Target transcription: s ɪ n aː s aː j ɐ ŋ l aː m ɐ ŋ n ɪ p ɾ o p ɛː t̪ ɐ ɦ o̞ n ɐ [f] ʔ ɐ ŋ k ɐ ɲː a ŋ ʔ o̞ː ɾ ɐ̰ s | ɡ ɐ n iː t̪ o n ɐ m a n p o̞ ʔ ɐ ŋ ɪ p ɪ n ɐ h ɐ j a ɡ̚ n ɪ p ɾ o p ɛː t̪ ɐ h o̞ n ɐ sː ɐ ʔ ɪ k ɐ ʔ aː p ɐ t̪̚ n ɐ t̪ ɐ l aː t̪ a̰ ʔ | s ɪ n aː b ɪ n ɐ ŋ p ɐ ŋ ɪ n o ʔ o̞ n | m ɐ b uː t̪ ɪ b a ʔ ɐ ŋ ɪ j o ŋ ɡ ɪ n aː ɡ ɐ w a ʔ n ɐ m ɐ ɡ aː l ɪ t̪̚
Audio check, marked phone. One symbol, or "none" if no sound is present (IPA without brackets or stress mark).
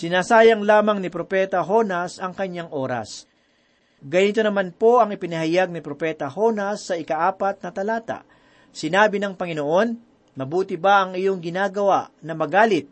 s